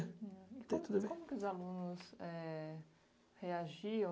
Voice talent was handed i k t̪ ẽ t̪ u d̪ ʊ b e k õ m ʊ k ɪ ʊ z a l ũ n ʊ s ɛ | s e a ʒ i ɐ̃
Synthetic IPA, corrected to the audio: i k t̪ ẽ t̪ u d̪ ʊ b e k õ m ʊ k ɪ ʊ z a l ũ n ʊ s ɛ | h e a ʒ i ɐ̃

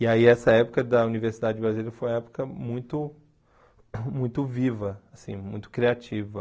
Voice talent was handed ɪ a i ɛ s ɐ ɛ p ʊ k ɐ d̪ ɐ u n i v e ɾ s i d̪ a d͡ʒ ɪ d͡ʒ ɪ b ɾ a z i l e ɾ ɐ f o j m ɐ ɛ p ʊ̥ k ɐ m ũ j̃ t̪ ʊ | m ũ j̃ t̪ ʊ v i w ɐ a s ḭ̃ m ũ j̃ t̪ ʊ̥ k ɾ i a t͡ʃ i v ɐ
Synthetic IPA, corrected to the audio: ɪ a i ɛ s ɐ ɛ p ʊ k ɐ d̪ ɐ u n i v e ɾ s i d̪ a d͡ʒ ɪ d͡ʒ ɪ b ɾ a z i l e ɾ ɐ f o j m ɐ ɛ p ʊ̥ k ɐ m ũ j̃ t̪ ʊ | m ũ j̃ t̪ ʊ v i v ɐ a s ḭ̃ m ũ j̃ t̪ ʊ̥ k ɾ i a t͡ʃ i v ɐ

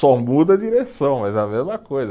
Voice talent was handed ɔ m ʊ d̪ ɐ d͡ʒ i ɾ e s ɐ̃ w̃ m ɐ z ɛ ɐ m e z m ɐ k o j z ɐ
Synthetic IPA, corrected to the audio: ɔ m u d̪ ɐ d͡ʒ i ɾ e s ɐ̃ w̃ m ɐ z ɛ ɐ m e z m ɐ k o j z ɐ

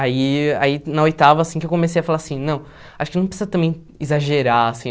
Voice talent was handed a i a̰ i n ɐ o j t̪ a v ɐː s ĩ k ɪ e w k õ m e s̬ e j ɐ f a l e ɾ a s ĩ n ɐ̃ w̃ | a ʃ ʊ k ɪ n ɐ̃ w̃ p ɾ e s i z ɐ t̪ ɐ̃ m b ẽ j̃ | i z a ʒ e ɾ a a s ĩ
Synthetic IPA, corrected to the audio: a i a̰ i n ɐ o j t̪ a v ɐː s ĩ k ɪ e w k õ m e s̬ e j ɐ f a l a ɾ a s ĩ n ɐ̃ w̃ | a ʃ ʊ k ɪ n ɐ̃ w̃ p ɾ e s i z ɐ t̪ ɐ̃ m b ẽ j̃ | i z a ʒ e ɾ a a s ĩ

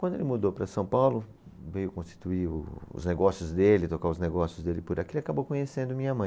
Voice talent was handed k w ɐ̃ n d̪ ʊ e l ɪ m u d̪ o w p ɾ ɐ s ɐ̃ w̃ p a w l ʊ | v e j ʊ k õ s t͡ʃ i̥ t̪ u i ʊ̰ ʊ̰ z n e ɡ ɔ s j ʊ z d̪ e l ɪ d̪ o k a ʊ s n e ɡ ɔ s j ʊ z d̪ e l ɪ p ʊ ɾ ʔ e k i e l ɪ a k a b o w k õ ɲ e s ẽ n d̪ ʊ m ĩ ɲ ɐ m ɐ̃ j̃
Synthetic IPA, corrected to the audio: k w ɐ̃ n d̪ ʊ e l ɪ m u d̪ o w p ɾ ɐ s ɐ̃ w̃ p a w l ʊ | v e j ʊ k õ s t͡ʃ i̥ t̪ u i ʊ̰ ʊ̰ z n e ɡ ɔ s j ʊ z d̪ e l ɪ t̪ o k a ʊ z n e ɡ ɔ s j ʊ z d̪ e l ɪ p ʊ ɾ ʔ a k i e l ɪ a k a b o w k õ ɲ e s ẽ n d̪ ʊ m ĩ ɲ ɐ m ɐ̃ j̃

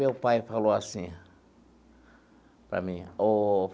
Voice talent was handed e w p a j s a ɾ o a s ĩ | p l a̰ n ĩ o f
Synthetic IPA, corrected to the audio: e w p a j f a l o a s ĩ | p ɾ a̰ m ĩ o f

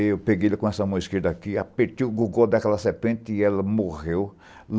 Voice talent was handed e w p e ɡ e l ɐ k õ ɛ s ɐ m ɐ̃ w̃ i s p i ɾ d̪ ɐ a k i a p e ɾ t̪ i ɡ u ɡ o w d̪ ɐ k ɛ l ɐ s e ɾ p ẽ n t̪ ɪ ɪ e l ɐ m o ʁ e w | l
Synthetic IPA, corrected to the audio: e w p e ɡ e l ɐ k õ ɛ s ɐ m ɐ̃ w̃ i s k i ɾ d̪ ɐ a k i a p e ɾ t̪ i ɡ u ɡ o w d̪ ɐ k ɛ l ɐ s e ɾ p ẽ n t̪ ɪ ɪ ɛ l ɐ m o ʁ e w | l

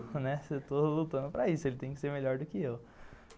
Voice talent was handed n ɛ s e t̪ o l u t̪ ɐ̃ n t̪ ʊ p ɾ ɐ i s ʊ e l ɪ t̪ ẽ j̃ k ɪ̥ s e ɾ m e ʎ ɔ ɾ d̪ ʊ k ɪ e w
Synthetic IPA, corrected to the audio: n ɛ s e t̪ o l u t̪ ɐ̃ n d̪ ʊ p ɾ ɐ i s ʊ e l ɪ t̪ ẽ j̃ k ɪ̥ s e ɾ m e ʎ ɔ ɾ d̪ ʊ k ɪ e w

